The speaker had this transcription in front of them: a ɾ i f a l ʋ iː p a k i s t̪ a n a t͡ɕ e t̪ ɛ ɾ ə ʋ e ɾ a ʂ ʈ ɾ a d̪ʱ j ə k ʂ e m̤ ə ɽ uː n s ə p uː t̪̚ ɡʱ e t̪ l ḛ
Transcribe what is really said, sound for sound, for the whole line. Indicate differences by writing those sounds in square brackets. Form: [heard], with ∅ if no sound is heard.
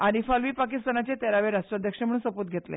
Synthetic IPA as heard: a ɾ i f a l ʋ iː p a k i s t̪ a n a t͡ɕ e t̪ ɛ ɾ [a] ʋ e ɾ a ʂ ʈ ɾ a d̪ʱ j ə k ʂ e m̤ ə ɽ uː n s ə p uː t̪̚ ɡʱ e t̪ l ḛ